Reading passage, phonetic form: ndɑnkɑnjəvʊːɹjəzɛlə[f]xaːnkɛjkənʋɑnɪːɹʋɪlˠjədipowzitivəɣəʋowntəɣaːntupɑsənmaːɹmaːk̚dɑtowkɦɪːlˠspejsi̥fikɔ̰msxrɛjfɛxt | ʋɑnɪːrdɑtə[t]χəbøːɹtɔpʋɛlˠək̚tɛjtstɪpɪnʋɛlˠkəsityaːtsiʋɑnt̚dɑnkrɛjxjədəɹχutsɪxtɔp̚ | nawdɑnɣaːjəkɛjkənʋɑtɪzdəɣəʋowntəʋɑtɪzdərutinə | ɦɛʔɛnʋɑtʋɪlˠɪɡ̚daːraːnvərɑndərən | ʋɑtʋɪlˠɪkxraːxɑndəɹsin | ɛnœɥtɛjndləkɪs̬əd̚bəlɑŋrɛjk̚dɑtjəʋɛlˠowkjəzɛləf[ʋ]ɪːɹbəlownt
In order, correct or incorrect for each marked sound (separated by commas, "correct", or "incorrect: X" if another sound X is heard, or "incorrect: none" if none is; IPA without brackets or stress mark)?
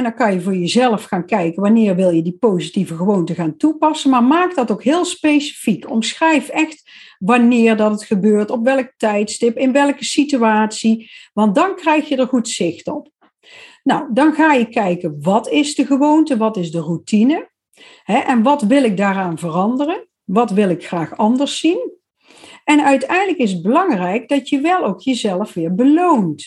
correct, correct, correct